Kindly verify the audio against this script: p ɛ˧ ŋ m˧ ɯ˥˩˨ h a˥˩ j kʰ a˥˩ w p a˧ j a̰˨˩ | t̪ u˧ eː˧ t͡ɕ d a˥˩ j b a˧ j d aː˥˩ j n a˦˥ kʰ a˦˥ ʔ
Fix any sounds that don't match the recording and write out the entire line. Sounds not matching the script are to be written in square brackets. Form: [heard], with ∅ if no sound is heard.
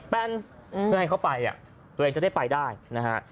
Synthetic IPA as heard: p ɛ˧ [n] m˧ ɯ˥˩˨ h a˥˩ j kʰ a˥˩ w p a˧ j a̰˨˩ | t̪ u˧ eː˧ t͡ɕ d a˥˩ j [p] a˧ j d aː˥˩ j n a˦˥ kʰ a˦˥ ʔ